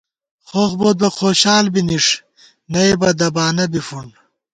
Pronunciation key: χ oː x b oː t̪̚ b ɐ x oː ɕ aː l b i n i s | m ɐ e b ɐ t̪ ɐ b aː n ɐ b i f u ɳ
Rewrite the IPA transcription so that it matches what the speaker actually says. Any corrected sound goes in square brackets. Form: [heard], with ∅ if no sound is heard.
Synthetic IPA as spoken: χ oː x b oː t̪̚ b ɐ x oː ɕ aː l b i n i [ʂ] | [n] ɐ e b ɐ [d̪] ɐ b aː n ɐ b i f u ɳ

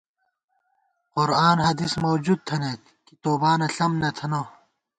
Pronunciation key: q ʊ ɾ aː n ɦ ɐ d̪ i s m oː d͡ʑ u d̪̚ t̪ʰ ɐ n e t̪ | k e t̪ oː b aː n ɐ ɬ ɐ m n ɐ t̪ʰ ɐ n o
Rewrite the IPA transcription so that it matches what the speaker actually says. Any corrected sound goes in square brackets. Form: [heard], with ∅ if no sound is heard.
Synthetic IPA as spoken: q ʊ ɾ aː n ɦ ɐ d̪ i s m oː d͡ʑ u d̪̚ t̪ʰ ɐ n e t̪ | k [i] t̪ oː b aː n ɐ ɬ ɐ m n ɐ t̪ʰ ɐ n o

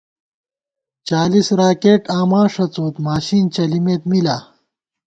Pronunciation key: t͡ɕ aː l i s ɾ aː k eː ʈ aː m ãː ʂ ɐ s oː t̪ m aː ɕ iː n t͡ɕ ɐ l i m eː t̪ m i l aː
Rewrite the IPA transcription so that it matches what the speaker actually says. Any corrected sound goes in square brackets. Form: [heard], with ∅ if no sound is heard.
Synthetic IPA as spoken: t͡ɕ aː l i s ɾ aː k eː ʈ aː m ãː ʂ ɐ [t͡s] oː t̪ m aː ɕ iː n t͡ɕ ɐ l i m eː t̪ m i l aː

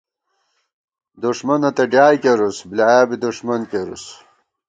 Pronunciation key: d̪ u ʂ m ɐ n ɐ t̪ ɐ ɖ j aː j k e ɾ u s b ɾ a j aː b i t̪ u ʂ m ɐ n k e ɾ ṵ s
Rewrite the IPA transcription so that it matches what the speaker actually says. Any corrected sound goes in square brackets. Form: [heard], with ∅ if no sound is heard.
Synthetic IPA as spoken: d̪ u ʂ m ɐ n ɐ t̪ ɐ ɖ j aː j k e ɾ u s b [l] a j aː b i [d̪] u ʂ m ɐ n k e ɾ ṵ s

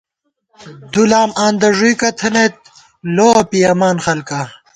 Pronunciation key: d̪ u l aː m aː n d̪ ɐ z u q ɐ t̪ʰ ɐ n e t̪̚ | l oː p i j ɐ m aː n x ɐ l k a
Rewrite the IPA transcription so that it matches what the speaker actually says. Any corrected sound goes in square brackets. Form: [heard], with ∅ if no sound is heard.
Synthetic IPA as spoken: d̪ u l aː m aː n d̪ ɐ [ʐ] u [k] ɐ t̪ʰ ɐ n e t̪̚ | l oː p i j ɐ m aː n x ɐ l k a

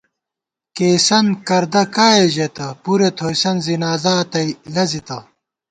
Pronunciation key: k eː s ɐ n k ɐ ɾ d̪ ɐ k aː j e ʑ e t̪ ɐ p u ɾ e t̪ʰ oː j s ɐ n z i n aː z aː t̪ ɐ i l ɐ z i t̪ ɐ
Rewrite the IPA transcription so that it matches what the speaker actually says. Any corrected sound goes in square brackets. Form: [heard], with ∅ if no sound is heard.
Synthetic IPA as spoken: k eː s ɐ n k ɐ ɾ d̪ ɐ k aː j e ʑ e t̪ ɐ p u ɾ e t̪ʰ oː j s ɐ n z i n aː z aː t̪ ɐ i l ɐ z i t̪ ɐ

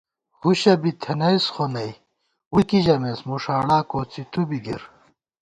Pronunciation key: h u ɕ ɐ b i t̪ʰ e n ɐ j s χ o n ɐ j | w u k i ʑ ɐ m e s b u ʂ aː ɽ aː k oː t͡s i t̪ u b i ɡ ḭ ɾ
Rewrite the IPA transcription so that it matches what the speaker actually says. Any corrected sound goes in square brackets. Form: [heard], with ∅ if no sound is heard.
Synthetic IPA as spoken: h u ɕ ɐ b i t̪ʰ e n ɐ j s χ o n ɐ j | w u k i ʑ ɐ m e s [m] u ʂ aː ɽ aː k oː t͡s i t̪ u b i ɡ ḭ ɾ

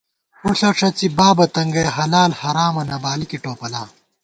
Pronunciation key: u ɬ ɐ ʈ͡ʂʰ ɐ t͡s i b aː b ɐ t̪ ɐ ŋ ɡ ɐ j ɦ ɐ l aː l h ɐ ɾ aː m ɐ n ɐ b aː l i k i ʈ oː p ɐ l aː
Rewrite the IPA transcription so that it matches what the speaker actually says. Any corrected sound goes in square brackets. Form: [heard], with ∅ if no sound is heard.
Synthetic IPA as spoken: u ɬ ɐ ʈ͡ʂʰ ɐ t͡s i b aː b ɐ t̪ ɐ ŋ ɡ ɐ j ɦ ɐ l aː l h ɐ ɾ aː m ɐ n ɐ b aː l i k i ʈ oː p ɐ l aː

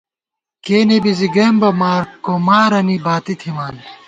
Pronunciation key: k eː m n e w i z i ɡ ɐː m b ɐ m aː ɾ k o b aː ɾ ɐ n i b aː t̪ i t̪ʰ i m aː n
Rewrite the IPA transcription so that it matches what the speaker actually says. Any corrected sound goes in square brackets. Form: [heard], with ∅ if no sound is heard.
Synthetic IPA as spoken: k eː [∅] n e [b] i z i ɡ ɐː m b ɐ m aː ɾ k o [m] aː ɾ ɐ n i b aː t̪ i t̪ʰ i m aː n

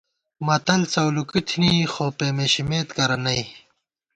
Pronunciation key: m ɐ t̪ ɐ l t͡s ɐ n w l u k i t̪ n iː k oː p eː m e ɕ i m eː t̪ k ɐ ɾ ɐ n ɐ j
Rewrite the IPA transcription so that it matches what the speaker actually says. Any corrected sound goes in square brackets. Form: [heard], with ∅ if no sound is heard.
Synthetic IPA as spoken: m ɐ t̪ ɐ l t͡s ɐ [∅] w l u k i [t̪ʰ] n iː [x] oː p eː m e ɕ i m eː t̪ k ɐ ɾ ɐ n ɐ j

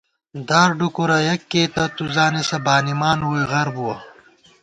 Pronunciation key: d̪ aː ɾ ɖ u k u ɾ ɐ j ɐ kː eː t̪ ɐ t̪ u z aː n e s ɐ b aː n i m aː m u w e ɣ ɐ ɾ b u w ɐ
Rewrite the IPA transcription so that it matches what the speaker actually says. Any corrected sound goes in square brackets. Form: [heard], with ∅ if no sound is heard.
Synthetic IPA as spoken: d̪ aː ɾ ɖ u k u ɾ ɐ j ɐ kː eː t̪ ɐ t̪ u z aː n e s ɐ b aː n i m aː [n] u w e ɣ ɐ ɾ b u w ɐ

